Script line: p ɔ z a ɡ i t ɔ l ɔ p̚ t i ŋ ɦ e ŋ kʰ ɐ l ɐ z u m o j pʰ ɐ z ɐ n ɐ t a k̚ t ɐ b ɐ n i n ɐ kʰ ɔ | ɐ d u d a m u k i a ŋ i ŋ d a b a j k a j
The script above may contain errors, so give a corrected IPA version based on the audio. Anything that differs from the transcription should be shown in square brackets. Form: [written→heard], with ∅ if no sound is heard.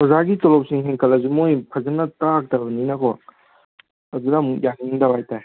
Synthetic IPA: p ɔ z a ɡ i t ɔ l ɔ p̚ [t→s] i ŋ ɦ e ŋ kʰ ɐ l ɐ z u m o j pʰ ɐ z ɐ n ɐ t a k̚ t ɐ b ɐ n i n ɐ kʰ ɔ | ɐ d u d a m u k [i→j] a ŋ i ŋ d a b a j [k→t] a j